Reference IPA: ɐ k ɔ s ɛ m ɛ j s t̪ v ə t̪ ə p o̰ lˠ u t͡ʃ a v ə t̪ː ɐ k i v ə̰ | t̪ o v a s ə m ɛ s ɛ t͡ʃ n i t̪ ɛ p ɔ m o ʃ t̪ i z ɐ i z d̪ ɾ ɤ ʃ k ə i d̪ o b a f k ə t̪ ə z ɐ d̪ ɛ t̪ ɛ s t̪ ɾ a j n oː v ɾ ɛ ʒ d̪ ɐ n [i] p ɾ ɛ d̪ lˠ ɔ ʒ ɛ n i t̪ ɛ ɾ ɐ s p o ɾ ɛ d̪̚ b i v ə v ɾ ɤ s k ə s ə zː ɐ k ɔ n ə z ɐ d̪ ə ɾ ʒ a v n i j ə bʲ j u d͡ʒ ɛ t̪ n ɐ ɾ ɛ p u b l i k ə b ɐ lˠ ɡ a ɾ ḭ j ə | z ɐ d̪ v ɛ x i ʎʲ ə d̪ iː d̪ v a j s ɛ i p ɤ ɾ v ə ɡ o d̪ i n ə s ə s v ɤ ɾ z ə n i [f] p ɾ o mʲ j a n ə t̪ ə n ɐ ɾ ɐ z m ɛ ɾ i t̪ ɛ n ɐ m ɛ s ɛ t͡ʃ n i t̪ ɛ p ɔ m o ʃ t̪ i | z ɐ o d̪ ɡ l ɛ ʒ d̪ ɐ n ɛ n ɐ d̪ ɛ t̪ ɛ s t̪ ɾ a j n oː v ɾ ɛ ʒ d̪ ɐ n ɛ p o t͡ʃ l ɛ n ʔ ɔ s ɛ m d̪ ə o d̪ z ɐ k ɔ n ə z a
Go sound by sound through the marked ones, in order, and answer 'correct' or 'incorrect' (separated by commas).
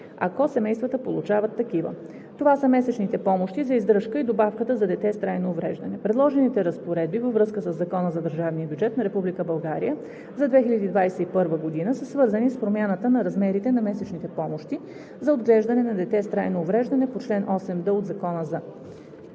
incorrect, incorrect